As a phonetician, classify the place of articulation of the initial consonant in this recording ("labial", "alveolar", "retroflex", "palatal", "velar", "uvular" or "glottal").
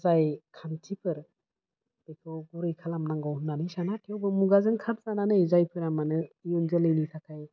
alveolar